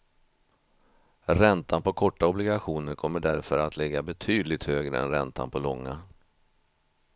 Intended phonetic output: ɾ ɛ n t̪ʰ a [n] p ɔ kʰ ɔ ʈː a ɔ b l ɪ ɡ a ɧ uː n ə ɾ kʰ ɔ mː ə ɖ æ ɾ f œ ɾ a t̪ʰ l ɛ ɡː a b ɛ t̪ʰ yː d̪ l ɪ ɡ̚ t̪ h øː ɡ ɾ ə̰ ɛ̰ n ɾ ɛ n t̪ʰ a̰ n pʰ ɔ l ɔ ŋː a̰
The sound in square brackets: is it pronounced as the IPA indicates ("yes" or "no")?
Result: yes